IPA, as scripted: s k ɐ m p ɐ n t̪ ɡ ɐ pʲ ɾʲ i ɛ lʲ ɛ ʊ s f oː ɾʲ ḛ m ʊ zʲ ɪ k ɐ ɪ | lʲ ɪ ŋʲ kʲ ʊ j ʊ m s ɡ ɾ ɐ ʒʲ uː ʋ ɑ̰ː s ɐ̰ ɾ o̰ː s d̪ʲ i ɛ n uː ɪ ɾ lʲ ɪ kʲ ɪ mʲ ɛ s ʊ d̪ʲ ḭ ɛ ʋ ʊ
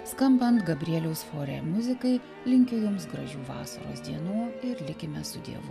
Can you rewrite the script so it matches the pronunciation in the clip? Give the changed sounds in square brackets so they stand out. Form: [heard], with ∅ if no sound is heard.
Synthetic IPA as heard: s k ɐ m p ɐ n t̪ ɡ ɐ [bʲ] ɾʲ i ɛ lʲ ɛ ʊ s f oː ɾʲ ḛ m ʊ zʲ ɪ k ɐ ɪ | lʲ ɪ ŋʲ kʲ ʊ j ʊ m s ɡ ɾ ɐ ʒʲ uː ʋ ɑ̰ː s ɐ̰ ɾ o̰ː s d̪ʲ i ɛ n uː ɪ ɾ lʲ ɪ kʲ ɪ mʲ ɛ s ʊ d̪ʲ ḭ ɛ ʋ ʊ